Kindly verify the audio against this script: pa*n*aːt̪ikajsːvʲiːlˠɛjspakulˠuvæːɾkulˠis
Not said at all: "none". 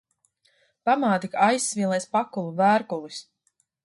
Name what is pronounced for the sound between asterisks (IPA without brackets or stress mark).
m